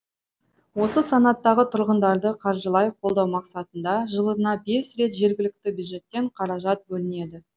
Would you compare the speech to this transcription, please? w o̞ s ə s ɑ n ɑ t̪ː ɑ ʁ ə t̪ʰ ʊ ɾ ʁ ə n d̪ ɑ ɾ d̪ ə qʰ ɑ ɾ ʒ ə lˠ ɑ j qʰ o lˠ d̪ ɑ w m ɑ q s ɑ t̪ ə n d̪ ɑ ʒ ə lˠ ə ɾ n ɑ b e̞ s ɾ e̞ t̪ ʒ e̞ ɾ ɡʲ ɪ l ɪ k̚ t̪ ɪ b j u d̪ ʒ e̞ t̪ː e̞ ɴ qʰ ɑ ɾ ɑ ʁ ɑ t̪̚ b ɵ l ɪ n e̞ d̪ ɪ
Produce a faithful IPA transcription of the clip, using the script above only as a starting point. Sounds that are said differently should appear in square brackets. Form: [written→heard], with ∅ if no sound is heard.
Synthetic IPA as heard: w o̞ s ə s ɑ n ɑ t̪ː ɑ ʁ ə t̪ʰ ʊ ɾ ʁ ə n d̪ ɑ ɾ d̪ ə qʰ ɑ ɾ ʒ ə lˠ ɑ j qʰ o lˠ d̪ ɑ w m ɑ q s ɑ t̪ ə n d̪ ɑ ʒ ə lˠ ə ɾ n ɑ b e̞ s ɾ e̞ t̪ ʒ e̞ ɾ ɡʲ ɪ l ɪ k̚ t̪ ɪ b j u d̪ ʒ e̞ t̪ː e̞ ɴ qʰ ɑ ɾ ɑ [ʁ→ʒ] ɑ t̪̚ b ɵ l ɪ n e̞ d̪ ɪ

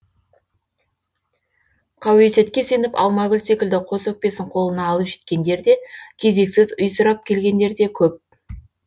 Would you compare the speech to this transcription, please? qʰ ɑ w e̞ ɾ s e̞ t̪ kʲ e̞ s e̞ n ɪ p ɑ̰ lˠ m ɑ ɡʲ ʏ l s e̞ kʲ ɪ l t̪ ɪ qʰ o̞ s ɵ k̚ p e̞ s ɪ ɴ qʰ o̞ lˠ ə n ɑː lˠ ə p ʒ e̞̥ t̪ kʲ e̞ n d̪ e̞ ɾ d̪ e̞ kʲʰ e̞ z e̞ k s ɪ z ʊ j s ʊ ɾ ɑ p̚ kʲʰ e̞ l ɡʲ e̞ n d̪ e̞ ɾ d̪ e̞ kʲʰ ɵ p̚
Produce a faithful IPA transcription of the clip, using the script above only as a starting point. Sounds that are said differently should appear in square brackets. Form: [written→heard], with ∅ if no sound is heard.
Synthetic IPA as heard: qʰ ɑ w e̞ [ɾ→∅] s e̞ t̪ kʲ e̞ s e̞ n ɪ p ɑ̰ lˠ m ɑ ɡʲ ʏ l s e̞ kʲ ɪ l [t̪→d̪] ɪ qʰ o̞ s ɵ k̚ p e̞ s ɪ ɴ qʰ o̞ lˠ ə n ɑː lˠ ə p ʒ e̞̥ t̪ kʲ e̞ n d̪ e̞ ɾ d̪ e̞ kʲʰ e̞ z e̞ k s ɪ z ʊ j s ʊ ɾ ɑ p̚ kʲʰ e̞ l ɡʲ e̞ n d̪ e̞ ɾ d̪ e̞ kʲʰ ɵ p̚

